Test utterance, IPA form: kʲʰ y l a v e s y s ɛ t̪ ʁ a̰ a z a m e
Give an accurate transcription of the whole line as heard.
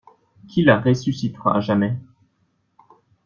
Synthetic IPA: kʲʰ i l a ʁ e s y s i t̪ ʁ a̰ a ʒ a m ɛ